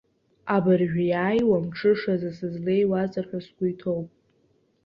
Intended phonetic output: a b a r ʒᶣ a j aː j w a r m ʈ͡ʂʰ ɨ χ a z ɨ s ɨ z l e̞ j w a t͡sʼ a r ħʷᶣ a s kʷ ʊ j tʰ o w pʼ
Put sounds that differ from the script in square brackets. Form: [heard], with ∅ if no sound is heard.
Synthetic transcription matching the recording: a b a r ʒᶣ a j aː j w a [∅] m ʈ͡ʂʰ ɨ [ʂ] a z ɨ s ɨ z l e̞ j w a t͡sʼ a r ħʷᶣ a s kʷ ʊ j tʰ o w pʼ